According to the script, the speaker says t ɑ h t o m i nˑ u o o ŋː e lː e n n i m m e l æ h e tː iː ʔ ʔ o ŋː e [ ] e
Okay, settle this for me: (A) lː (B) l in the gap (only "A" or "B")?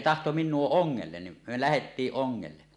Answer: A